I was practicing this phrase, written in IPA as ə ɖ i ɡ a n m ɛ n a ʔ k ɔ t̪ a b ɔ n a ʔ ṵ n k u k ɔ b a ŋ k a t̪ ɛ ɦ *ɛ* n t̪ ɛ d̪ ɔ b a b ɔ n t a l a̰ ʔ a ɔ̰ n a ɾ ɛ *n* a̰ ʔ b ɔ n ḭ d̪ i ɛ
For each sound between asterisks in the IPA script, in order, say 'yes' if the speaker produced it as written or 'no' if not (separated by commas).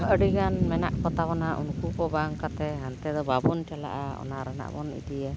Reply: no, yes